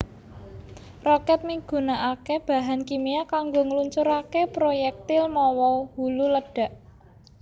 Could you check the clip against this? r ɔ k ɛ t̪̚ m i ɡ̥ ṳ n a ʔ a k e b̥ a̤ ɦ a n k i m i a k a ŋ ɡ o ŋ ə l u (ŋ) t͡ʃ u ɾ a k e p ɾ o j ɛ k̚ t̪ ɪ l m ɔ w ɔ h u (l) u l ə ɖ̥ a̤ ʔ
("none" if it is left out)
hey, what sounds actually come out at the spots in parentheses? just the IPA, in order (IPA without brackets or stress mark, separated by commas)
ɲ, l